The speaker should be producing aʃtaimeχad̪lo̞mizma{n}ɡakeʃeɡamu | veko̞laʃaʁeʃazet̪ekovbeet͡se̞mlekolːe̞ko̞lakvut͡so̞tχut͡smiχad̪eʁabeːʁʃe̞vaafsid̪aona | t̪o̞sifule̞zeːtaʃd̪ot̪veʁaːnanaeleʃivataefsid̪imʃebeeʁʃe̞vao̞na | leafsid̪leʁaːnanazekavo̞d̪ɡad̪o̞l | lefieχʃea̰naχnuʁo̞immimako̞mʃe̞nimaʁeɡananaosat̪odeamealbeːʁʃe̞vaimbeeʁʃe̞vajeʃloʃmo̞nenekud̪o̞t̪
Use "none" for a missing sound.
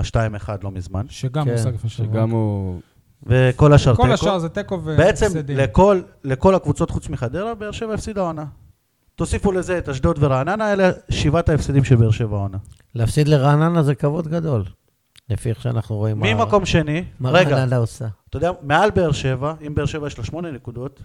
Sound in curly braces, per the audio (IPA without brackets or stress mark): n